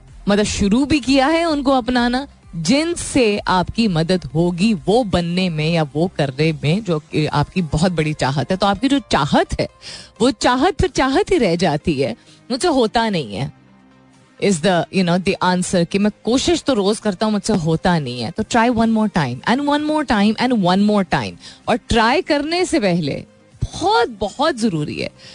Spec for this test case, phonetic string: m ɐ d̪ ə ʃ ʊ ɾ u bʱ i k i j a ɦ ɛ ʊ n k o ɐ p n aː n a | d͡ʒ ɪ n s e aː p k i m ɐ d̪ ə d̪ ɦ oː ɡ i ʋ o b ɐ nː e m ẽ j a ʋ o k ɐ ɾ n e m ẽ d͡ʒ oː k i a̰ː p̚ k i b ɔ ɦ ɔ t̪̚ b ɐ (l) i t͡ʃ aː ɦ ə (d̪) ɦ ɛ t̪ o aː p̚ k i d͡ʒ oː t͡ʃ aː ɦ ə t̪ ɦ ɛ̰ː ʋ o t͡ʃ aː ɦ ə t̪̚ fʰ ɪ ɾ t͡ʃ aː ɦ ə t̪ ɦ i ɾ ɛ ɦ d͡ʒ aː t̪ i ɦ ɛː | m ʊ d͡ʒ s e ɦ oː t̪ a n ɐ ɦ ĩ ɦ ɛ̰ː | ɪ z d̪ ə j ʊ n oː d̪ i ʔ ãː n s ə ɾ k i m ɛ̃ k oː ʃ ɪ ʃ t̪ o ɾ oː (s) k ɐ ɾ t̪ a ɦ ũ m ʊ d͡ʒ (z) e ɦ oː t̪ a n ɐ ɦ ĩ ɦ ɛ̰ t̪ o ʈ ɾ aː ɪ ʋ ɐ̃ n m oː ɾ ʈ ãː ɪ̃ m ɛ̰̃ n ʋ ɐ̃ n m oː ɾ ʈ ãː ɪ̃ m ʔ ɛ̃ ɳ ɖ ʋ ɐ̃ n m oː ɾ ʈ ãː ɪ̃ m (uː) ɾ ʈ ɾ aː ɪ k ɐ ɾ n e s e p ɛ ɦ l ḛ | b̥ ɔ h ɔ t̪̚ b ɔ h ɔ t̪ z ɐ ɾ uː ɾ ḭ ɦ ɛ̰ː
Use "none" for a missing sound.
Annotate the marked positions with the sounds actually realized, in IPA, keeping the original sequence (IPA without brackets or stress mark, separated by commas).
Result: ɽ, t̪, z, s, ɔː